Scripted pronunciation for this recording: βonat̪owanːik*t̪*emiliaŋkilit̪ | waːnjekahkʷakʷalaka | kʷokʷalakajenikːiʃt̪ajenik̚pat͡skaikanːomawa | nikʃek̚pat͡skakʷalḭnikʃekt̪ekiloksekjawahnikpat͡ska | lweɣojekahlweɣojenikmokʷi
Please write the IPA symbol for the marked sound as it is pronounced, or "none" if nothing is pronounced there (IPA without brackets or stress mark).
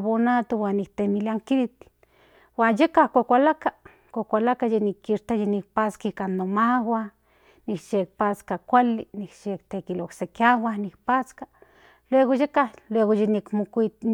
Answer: t̪